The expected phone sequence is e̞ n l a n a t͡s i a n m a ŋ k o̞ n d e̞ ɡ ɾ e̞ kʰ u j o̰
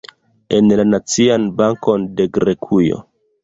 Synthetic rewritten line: e̞ n l a n a t͡s i a n b a ŋ k o̞ n d e̞ ɡ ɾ e̞ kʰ u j o̰